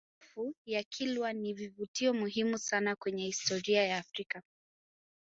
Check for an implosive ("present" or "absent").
absent